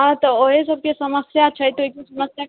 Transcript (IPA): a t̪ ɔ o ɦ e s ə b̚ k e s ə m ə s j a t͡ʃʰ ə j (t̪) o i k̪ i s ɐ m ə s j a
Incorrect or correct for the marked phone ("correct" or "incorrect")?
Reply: correct